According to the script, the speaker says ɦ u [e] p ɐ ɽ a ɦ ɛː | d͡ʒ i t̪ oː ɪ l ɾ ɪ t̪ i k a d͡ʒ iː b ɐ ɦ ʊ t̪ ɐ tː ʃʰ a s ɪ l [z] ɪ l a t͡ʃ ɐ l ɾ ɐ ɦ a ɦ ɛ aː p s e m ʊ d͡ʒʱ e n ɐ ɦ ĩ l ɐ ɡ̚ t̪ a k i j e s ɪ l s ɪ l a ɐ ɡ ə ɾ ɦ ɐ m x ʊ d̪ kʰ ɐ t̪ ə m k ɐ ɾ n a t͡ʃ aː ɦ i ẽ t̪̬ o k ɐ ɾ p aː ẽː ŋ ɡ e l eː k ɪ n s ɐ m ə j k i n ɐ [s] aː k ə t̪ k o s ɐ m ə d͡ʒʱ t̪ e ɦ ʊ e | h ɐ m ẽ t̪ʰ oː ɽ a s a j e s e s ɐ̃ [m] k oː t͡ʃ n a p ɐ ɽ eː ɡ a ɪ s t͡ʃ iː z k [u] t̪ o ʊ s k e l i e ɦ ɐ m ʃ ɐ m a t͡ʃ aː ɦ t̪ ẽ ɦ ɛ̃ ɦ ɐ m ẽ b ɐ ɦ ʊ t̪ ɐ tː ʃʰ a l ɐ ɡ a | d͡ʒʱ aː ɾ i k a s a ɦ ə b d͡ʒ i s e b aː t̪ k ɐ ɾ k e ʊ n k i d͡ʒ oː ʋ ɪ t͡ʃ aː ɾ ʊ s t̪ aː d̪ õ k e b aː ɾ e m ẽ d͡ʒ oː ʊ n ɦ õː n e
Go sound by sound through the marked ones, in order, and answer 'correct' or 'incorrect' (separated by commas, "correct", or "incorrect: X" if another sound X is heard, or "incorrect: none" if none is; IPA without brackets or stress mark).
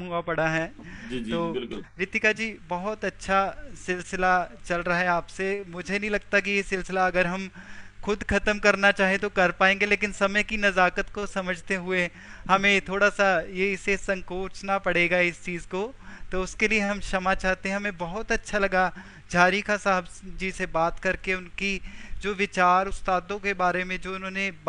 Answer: incorrect: a, incorrect: s, incorrect: z, incorrect: ŋ, incorrect: o